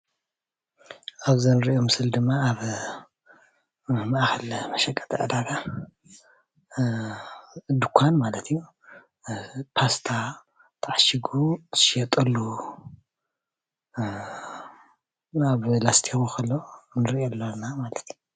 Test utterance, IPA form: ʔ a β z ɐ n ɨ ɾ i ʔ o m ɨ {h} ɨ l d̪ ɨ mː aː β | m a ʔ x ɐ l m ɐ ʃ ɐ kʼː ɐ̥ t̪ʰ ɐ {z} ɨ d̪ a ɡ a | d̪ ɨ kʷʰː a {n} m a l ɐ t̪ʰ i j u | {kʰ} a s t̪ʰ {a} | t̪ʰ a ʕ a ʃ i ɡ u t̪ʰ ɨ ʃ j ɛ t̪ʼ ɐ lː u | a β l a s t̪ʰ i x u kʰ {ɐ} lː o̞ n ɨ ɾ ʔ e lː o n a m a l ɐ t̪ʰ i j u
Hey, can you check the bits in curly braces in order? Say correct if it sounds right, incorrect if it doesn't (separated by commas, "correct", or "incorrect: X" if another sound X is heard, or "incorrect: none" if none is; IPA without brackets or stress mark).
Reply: incorrect: s, incorrect: ʕ, correct, incorrect: pʰ, correct, correct